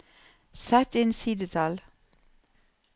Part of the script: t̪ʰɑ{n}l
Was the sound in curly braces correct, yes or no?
no